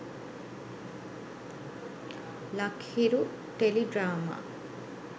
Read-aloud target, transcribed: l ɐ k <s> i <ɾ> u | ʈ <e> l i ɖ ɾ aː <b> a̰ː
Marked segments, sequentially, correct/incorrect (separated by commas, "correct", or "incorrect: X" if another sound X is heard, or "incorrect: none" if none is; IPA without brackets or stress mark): incorrect: h, correct, correct, incorrect: m